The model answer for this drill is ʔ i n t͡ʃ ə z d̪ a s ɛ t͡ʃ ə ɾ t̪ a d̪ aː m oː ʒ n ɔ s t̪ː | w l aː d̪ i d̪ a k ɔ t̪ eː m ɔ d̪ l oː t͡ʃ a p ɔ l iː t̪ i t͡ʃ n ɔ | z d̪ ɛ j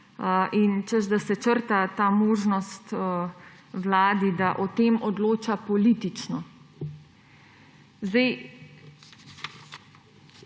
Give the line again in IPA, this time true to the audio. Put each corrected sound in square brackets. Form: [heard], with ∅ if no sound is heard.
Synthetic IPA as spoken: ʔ i n t͡ʃ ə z d̪ a s ɛ t͡ʃ ə ɾ t̪ a [t̪] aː m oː ʒ n ɔ s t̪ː | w l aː d̪ i d̪ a [ʔ] ɔ t̪ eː m ɔ d̪ l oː t͡ʃ a p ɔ l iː t̪ i t͡ʃ n ɔ | z d̪ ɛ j